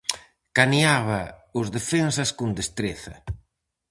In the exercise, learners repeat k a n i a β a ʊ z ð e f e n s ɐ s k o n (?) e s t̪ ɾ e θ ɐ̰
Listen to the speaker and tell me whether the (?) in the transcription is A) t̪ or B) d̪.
B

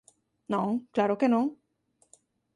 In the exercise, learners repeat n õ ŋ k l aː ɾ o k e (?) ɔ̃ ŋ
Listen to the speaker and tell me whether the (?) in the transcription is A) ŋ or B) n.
B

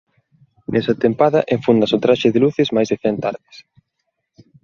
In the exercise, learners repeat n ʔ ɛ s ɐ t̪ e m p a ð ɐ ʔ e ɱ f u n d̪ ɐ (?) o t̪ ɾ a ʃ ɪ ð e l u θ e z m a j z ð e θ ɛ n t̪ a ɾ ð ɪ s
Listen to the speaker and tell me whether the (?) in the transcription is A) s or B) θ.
A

